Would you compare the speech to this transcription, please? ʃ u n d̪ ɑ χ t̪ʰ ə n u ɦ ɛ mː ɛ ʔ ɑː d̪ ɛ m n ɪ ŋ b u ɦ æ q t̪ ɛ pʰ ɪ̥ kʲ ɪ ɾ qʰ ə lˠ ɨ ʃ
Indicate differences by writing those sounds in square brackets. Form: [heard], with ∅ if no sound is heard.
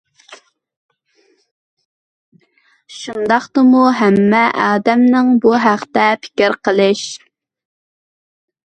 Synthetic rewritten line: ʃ u n d̪ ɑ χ [t̪] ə [m] u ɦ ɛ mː ɛ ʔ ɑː d̪ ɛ m n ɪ ŋ b u ɦ æ q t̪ ɛ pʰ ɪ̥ kʲ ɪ ɾ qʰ ə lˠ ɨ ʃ